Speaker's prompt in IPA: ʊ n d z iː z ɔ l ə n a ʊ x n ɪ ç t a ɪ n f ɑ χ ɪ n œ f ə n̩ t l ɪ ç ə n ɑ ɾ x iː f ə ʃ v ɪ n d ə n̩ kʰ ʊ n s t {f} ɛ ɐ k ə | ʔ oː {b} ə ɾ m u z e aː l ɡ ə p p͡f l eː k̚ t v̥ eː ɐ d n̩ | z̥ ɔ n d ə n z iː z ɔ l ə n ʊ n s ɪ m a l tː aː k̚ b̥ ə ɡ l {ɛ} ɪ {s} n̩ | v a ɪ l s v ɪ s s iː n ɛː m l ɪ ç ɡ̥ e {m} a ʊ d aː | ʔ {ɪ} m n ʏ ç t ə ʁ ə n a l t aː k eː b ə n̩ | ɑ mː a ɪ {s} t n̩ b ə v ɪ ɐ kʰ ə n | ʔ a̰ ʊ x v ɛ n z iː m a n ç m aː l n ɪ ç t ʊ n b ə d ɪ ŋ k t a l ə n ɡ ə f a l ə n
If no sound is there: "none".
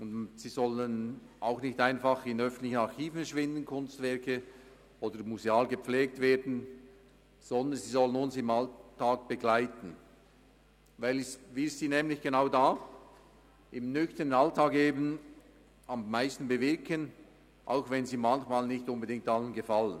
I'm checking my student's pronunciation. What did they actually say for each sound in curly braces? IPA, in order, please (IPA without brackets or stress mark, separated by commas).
v, d, a, t, n, ɪ, s